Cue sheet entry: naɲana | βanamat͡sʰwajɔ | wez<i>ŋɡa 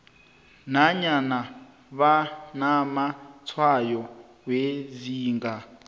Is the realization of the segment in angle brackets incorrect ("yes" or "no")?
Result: yes